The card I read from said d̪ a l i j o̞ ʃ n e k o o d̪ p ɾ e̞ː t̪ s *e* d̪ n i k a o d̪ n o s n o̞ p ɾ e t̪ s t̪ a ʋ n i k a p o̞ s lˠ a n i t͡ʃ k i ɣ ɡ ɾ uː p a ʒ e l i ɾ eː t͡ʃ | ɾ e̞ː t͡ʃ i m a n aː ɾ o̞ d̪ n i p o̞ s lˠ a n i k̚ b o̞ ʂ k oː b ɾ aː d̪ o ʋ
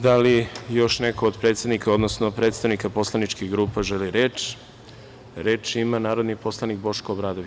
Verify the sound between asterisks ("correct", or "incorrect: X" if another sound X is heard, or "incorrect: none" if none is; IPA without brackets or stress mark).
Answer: correct